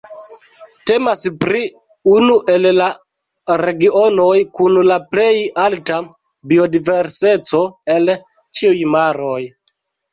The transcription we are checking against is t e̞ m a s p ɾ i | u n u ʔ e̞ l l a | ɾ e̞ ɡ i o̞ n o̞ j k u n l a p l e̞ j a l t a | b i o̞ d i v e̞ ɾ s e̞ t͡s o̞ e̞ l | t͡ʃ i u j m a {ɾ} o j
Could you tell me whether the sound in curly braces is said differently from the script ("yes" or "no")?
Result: no